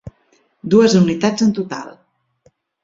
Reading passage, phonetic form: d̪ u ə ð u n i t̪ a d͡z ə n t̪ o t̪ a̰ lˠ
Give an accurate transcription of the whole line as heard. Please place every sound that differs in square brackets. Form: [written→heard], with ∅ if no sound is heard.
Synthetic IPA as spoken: d̪ u ə [ð→z] u n i t̪ a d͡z ə n t̪ [o→u] t̪ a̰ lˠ